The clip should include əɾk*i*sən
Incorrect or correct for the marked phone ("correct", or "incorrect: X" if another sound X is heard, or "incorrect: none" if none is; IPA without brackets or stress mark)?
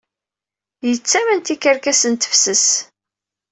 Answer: incorrect: æ